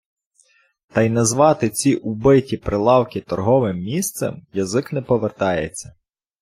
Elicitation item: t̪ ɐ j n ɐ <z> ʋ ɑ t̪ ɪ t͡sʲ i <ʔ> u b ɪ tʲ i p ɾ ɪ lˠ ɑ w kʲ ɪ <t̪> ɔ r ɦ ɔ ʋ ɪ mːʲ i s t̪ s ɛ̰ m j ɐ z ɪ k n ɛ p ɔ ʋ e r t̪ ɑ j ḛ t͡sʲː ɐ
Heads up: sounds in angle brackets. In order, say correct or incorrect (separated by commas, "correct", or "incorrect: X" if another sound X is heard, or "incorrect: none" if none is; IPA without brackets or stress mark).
correct, correct, correct